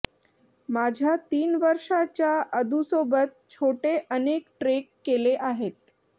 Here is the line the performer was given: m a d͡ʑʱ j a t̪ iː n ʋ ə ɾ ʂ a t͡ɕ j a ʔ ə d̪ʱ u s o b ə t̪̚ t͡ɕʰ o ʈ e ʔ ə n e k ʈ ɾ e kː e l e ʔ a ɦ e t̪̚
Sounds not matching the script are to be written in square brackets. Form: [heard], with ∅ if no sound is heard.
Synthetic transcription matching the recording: m a d͡ʑʱ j a t̪ iː n ʋ ə ɾ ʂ a t͡ɕ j a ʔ ə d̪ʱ u s o b ə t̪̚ t͡ɕʰ o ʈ e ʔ ə n e k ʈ ɾ e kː e l e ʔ a ɦ e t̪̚

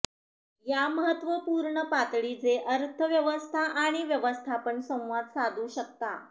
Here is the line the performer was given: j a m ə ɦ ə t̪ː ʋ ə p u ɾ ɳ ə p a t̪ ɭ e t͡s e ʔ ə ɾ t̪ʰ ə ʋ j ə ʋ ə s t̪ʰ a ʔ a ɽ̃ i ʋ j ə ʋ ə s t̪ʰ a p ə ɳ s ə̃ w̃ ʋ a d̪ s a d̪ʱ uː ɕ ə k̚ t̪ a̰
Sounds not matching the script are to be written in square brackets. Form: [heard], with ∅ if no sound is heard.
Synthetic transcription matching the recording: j a m ə ɦ ə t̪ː ʋ ə p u ɾ ɳ ə p a t̪ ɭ [i] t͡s e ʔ ə ɾ t̪ʰ ə ʋ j ə ʋ ə s t̪ʰ a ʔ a ɽ̃ i ʋ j ə ʋ ə s t̪ʰ a p ə ɳ s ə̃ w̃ ʋ a d̪ s a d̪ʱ uː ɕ ə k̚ t̪ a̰

